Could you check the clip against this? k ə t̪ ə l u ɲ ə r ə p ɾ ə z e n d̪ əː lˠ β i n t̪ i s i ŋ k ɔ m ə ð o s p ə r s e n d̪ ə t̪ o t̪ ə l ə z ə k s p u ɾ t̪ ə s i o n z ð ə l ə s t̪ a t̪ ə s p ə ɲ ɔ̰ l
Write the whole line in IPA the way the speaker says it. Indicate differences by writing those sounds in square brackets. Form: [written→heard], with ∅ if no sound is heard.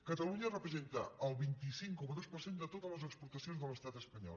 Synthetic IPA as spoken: k ə t̪ ə l u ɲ ə r ə p ɾ ə z e n [d̪→t̪] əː lˠ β i n t̪ i s i ŋ k ɔ m ə ð o s p ə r s e n d̪ ə t̪ o t̪ ə l ə z ə k s p u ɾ t̪ ə s i o n z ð ə l ə s t̪ a t̪ ə s p ə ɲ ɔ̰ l